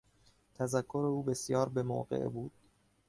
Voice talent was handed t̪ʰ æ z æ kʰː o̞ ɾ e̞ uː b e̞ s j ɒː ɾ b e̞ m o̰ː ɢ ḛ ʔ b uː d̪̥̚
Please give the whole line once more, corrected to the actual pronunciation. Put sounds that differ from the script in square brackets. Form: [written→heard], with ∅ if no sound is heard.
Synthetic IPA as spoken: t̪ʰ æ z æ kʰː o̞ ɾ e̞ uː b e̞ s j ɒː ɾ b e̞ m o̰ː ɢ ḛ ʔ b uː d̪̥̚